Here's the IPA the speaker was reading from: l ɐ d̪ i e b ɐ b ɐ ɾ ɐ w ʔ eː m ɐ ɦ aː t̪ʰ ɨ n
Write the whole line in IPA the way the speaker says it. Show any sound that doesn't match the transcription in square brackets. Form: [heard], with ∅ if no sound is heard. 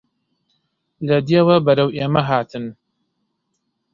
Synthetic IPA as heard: l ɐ d̪ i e [w] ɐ b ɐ ɾ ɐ w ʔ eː m ɐ ɦ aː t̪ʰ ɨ n